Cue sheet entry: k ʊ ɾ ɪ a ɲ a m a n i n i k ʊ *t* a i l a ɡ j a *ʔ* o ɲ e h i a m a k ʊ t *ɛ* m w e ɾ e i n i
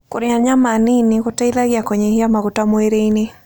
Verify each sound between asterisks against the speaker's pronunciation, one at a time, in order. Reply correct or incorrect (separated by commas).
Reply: correct, incorrect, incorrect